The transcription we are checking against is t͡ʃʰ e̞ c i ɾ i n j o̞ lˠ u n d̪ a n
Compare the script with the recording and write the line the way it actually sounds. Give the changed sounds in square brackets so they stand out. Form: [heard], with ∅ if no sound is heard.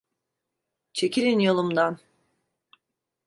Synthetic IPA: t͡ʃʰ e̞ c i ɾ i n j o̞ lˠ u [m] d̪ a n